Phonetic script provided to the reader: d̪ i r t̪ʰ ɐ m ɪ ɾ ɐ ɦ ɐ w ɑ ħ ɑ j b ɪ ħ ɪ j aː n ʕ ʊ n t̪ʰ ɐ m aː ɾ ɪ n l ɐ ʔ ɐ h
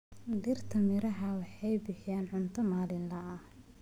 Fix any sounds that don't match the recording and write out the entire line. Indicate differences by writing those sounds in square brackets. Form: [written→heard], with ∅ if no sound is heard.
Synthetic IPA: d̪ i r t̪ʰ ɐ m ɪ ɾ ɐ ɦ ɐ w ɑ ħ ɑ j b ɪ ħ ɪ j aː n ʕ ʊ n t̪ʰ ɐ m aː [ɾ→l] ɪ n l ɐ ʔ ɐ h